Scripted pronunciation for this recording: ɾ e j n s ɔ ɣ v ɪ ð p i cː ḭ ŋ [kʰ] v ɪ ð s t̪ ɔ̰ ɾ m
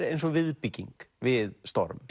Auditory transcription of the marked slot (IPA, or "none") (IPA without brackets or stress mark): k